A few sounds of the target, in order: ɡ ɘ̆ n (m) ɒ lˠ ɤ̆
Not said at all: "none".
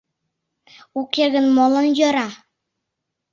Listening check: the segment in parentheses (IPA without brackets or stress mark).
m